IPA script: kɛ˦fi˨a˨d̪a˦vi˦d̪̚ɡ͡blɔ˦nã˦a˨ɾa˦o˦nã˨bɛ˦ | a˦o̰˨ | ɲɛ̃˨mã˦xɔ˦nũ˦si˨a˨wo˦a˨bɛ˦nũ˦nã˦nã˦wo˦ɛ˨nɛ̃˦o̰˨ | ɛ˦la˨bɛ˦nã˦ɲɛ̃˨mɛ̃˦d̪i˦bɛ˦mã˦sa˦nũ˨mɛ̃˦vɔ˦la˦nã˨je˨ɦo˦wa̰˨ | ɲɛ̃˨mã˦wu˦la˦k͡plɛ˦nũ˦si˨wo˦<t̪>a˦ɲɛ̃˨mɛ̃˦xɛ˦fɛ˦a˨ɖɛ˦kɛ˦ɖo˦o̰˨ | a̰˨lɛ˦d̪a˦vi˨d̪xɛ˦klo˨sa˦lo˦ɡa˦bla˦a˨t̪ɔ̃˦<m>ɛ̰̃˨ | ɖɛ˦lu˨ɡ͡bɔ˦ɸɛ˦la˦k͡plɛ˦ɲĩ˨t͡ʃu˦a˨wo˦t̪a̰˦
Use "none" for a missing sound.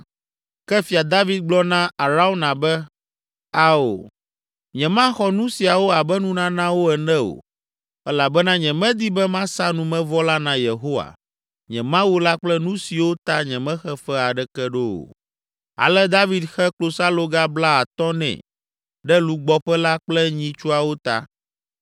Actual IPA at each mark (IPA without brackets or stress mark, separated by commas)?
t̪, n